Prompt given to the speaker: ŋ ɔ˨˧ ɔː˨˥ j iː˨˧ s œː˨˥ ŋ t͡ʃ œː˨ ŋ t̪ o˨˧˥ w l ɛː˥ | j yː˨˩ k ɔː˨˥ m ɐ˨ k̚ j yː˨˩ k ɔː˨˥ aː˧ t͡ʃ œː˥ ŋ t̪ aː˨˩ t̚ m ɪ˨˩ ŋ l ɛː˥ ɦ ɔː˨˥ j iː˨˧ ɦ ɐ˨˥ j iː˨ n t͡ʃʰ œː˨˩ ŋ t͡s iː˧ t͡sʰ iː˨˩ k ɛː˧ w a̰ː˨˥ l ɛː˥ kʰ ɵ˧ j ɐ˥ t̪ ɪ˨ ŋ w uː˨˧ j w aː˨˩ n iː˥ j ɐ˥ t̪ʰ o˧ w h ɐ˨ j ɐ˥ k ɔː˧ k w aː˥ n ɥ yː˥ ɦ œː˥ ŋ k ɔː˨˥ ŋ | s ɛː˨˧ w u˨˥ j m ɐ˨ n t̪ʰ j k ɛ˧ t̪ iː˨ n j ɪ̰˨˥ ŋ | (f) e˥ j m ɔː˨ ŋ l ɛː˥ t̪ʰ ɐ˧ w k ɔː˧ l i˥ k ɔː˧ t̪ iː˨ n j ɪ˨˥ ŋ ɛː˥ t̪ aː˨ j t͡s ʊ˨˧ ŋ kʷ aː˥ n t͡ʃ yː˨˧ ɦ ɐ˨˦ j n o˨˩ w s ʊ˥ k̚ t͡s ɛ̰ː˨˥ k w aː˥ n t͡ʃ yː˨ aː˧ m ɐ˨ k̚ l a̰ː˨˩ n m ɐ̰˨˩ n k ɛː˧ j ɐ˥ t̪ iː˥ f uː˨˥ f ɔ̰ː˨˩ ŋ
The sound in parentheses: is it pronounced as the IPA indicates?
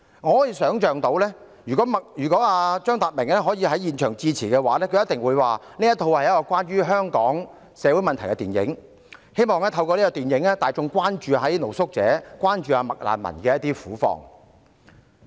no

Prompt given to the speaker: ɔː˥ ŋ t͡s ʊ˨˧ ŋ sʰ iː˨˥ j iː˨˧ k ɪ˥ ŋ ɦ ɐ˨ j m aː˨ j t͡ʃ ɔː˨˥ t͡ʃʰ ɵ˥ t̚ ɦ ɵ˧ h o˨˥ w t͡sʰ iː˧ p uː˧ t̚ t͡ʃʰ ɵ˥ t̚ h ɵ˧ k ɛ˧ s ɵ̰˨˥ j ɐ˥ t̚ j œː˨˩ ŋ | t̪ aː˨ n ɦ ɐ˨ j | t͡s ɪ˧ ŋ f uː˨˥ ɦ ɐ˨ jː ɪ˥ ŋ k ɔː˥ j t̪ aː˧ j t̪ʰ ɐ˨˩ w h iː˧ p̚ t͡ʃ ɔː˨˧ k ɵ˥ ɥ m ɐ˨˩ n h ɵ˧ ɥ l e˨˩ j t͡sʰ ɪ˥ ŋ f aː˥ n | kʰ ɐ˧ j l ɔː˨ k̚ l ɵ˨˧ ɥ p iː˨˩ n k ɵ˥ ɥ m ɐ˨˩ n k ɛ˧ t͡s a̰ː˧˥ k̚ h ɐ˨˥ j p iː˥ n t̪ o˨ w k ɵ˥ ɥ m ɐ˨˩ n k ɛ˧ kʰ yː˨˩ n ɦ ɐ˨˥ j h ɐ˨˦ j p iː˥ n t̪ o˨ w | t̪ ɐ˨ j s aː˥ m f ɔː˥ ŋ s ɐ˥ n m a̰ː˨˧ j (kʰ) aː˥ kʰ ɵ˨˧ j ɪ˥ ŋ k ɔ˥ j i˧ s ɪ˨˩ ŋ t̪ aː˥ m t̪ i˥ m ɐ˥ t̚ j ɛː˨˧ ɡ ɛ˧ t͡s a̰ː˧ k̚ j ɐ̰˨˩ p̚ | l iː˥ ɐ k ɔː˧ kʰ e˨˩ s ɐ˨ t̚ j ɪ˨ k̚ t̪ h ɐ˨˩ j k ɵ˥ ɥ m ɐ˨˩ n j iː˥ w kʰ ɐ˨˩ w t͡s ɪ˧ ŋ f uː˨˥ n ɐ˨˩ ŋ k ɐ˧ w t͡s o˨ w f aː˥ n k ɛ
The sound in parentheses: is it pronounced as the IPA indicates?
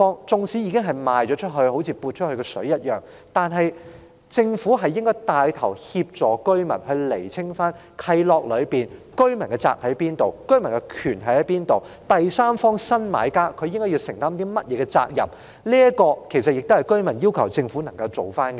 no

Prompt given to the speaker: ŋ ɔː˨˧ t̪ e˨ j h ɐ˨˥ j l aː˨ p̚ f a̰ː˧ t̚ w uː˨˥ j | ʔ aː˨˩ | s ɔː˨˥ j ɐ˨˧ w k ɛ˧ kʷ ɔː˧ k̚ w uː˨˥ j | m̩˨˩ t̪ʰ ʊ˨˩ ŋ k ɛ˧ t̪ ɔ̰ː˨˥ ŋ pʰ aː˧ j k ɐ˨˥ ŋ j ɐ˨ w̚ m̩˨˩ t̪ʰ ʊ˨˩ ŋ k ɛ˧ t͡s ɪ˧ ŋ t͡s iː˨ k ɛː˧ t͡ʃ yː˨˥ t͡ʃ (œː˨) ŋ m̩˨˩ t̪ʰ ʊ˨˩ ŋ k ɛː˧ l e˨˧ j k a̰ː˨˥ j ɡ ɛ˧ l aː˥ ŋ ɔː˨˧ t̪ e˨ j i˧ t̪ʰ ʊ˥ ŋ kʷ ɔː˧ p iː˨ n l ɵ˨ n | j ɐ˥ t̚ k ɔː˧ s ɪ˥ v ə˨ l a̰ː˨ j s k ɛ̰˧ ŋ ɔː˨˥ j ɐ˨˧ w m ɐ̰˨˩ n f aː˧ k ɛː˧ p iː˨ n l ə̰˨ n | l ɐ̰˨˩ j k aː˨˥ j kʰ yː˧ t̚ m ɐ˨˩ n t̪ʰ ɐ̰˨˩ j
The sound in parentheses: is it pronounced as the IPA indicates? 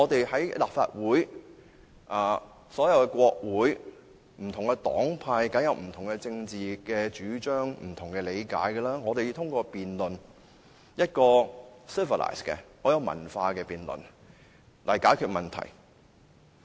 no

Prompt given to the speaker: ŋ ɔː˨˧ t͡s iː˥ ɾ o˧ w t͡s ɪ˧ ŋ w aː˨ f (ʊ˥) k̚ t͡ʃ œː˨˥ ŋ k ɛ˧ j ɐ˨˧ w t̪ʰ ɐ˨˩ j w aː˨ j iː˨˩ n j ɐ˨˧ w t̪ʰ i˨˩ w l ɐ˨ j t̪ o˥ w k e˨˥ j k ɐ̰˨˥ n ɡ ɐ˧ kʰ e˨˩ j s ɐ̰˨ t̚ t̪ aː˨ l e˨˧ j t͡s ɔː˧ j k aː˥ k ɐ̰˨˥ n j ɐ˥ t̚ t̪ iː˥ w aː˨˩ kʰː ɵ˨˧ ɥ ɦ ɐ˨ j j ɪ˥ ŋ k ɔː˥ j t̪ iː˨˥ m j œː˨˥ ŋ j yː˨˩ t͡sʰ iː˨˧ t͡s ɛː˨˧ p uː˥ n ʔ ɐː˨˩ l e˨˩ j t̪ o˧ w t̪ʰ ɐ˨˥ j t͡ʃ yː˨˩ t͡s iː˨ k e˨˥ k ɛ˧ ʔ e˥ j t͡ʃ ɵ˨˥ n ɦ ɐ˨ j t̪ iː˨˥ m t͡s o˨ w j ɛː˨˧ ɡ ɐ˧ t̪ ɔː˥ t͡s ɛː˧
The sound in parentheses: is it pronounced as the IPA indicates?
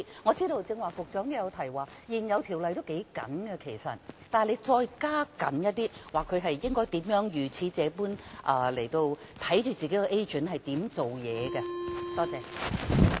no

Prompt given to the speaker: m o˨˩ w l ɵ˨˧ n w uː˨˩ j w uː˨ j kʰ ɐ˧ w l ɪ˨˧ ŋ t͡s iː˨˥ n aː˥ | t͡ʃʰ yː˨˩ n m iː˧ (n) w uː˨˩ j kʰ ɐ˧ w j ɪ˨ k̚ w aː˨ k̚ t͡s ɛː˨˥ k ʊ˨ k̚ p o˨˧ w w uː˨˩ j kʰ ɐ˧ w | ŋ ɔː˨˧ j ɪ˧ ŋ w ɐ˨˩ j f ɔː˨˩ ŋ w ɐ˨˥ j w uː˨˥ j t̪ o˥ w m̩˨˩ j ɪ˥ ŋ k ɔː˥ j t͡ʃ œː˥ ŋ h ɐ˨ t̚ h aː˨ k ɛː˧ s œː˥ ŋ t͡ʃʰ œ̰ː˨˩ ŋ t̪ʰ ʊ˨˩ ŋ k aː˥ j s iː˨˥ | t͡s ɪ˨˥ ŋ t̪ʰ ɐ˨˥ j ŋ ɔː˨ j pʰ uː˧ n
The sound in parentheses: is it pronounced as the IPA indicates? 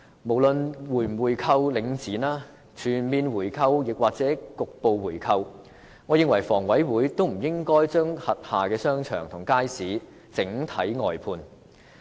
yes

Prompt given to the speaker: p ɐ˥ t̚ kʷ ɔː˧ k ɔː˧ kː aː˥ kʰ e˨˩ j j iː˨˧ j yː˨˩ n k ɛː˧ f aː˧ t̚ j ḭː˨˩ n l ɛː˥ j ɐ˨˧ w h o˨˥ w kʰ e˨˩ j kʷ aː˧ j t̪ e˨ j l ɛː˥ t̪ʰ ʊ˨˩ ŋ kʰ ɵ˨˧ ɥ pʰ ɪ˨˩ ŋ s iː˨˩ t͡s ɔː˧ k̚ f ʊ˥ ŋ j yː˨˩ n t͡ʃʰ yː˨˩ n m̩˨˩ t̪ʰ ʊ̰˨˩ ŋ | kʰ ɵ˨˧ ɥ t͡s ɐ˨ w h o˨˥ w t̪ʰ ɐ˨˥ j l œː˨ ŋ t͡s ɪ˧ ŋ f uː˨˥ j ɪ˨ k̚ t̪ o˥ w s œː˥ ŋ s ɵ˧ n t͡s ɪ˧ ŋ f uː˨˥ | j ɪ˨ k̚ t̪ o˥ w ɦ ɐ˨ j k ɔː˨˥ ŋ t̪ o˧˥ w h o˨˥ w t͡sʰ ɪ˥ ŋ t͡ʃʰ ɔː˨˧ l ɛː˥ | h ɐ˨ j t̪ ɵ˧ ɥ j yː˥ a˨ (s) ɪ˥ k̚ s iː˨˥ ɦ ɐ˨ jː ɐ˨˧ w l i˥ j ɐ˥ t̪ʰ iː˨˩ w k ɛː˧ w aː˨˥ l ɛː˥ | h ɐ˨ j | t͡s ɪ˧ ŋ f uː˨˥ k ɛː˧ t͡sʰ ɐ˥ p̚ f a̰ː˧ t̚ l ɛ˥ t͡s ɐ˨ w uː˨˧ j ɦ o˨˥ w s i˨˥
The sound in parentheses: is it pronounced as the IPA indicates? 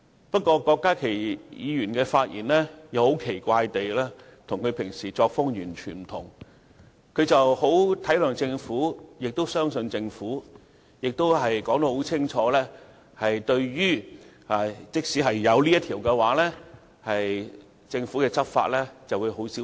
no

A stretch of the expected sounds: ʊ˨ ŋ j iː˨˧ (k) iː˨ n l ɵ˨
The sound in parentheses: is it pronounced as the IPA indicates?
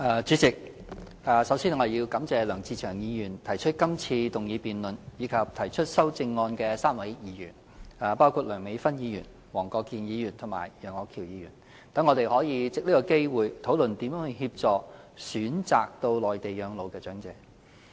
no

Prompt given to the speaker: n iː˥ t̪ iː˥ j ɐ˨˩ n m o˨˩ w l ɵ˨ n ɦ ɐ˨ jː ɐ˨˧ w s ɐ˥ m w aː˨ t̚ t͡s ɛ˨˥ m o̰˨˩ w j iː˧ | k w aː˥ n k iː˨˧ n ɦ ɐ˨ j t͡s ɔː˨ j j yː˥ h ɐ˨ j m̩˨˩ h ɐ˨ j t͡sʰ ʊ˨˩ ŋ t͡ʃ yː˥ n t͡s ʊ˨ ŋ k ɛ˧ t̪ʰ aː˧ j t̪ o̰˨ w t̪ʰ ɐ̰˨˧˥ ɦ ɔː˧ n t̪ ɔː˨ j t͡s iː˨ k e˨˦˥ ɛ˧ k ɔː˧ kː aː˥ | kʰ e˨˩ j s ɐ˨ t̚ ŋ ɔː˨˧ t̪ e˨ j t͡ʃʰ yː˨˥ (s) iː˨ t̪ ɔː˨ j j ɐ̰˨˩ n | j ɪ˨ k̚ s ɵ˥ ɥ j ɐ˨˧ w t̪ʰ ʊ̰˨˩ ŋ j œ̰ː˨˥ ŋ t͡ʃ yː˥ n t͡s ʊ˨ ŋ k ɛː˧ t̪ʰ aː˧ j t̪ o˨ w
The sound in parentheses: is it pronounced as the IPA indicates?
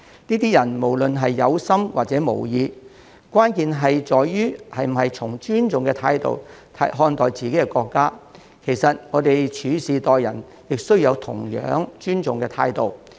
yes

